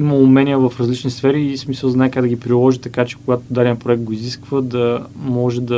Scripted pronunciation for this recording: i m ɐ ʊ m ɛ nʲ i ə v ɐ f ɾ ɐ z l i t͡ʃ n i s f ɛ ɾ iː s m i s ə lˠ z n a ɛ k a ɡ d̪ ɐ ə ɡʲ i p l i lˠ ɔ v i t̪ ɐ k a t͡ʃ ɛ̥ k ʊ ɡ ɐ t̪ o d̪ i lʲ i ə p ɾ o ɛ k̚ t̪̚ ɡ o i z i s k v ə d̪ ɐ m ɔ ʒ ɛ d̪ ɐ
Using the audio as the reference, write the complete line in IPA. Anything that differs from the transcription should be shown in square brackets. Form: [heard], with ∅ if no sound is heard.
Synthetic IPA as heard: i m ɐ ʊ m ɛ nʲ i ə v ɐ f ɾ ɐ z l i t͡ʃ n i s f ɛ ɾ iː s m i s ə lˠ z n a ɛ k a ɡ d̪ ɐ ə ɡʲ i p [ɾ] i lˠ ɔ [ʒ] i t̪ ɐ k a t͡ʃ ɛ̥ k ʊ ɡ [a] t̪ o d̪ [a] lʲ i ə p ɾ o ɛ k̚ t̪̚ ɡ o i z i s k v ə d̪ ɐ m ɔ ʒ ɛ d̪ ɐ